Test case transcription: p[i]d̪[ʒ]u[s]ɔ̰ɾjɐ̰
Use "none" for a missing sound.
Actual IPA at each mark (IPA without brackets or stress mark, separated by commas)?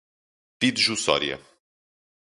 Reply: i, ʒ, s